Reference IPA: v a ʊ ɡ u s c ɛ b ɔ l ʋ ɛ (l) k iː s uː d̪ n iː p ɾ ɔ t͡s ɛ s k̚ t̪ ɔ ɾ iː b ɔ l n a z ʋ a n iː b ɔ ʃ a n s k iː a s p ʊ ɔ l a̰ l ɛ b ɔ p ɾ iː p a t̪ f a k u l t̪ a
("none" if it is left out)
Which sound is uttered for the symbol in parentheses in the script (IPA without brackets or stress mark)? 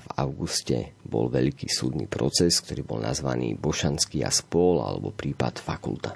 ʎ